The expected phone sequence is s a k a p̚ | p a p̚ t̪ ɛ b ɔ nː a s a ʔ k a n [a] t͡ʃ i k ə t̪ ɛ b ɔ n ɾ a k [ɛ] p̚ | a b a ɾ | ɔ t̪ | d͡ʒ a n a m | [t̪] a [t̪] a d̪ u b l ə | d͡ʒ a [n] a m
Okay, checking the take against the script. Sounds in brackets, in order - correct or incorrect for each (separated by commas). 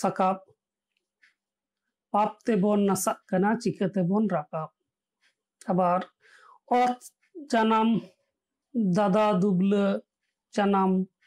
correct, incorrect, incorrect, incorrect, correct